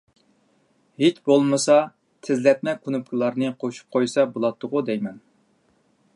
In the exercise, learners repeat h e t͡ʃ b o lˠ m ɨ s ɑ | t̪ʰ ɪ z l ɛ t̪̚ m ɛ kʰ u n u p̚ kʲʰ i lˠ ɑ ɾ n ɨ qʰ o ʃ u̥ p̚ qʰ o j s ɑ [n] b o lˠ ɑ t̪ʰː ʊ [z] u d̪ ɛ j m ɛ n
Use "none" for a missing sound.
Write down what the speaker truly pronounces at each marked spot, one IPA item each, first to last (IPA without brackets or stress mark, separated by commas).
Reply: none, ʁ